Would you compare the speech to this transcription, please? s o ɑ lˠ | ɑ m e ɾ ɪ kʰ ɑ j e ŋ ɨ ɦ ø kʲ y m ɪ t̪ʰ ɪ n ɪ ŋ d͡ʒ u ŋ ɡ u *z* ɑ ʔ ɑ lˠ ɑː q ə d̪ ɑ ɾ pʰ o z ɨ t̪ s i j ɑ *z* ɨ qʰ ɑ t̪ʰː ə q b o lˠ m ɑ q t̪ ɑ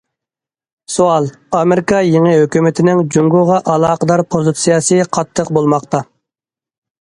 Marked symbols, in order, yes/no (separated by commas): no, no